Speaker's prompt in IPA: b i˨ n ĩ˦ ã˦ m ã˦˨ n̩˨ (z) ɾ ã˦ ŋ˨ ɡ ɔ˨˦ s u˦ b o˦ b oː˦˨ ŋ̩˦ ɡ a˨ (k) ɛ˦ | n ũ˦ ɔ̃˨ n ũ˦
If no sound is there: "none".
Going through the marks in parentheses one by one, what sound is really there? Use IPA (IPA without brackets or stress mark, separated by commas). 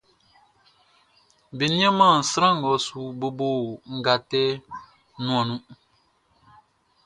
s, t